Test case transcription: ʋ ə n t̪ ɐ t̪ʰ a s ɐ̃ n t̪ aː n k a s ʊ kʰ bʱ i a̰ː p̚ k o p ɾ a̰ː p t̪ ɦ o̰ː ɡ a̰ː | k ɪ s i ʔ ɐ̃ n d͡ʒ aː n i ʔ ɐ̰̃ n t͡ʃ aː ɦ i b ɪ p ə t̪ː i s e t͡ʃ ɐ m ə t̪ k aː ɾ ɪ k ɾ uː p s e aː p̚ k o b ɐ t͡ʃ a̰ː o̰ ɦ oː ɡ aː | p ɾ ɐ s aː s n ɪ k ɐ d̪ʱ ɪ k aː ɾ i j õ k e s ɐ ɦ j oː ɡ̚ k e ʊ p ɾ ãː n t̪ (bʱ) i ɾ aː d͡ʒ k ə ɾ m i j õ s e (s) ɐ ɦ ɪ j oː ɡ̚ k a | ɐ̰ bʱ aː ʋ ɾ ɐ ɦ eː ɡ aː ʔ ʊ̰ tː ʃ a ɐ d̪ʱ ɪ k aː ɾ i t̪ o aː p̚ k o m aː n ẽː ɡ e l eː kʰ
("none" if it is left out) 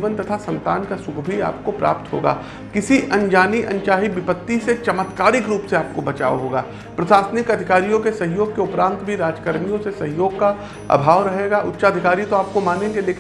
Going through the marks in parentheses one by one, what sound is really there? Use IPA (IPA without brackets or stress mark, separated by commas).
bʱ, s